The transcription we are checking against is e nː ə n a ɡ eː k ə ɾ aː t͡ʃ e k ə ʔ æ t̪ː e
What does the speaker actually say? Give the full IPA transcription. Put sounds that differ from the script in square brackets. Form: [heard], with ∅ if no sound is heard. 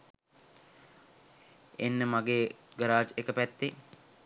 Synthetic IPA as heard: e nː ə [m] a ɡ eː [ɡ] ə ɾ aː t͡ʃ e k ə [p] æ t̪ː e